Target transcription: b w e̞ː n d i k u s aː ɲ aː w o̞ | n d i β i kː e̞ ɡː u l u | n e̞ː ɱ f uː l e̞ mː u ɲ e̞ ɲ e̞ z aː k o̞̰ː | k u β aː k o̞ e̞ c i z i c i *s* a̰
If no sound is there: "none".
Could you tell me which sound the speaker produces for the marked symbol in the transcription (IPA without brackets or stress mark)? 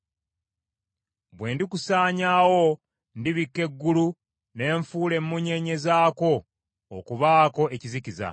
z